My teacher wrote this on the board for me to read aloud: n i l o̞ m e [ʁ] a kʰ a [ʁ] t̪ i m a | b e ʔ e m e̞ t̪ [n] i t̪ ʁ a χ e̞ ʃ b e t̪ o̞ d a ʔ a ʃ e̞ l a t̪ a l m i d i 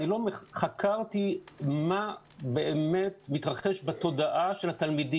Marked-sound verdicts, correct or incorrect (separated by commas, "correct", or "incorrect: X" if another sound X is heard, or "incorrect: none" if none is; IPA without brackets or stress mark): incorrect: χ, correct, incorrect: m